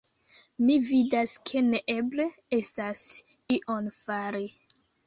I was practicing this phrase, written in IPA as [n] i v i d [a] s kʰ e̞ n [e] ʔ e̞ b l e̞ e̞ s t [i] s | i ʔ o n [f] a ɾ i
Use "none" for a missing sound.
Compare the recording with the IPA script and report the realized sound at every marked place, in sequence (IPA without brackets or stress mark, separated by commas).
m, a, e, a, f